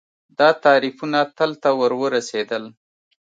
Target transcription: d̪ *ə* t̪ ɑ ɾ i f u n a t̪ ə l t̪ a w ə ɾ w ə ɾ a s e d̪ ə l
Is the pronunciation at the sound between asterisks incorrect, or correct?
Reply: incorrect: ɑ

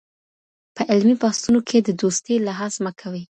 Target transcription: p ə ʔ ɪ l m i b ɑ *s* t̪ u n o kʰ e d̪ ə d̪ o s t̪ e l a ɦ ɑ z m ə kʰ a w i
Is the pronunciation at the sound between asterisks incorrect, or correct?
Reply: correct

